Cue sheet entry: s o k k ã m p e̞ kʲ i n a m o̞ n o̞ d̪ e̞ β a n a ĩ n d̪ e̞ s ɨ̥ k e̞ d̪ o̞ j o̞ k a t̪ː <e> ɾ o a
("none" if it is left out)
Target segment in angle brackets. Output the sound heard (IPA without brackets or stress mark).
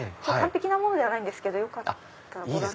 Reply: a